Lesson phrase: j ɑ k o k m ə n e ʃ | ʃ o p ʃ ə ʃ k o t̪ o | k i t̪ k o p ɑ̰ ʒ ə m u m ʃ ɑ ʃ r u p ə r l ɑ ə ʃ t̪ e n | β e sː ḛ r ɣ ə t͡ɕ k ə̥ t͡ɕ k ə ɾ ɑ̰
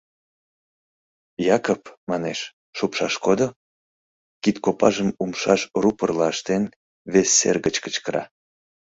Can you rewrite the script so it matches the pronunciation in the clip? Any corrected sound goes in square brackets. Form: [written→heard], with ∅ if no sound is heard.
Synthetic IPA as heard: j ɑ k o [k→p] m [ə→ɑ] n e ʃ | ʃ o p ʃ [ə→ɑ] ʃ k o [t̪→d̪] o | k i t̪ k o p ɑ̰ ʒ ə m u m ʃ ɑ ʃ r u p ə r l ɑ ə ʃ t̪ e n | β e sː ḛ r ɣ ə t͡ɕ k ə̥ t͡ɕ k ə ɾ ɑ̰